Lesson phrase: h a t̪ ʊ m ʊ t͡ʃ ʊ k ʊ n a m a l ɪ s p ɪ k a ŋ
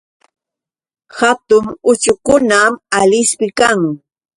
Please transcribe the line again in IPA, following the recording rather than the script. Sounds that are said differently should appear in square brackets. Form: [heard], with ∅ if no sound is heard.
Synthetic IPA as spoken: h a t̪ ʊ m ʊ t͡ʃ ʊ k ʊ n a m a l ɪ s p ɪ k a ŋ